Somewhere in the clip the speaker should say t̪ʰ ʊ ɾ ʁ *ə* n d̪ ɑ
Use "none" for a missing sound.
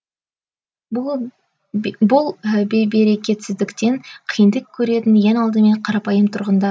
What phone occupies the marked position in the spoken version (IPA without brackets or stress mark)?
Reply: ə